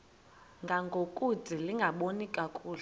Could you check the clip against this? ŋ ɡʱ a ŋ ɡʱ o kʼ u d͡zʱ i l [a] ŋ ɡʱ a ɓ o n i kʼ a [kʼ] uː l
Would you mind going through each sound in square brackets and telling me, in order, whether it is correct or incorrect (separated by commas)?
incorrect, correct